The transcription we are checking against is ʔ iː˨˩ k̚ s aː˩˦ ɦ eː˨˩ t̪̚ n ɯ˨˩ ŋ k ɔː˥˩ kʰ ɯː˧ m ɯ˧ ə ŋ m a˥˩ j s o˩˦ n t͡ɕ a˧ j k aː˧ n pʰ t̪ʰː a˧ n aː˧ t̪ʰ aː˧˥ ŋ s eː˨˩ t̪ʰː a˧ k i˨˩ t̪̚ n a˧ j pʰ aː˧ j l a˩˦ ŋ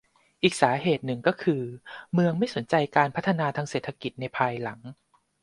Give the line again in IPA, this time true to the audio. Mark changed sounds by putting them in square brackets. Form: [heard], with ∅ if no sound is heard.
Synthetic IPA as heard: ʔ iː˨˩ k̚ s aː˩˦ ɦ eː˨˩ t̪̚ n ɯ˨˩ ŋ k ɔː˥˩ kʰ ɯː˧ m ɯ˧ ə ŋ m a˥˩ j s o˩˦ n t͡ɕ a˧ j k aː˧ n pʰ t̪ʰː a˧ n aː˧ t̪ʰ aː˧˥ ŋ s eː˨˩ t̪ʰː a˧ k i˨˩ t̪̚ n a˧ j pʰ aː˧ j l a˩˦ ŋ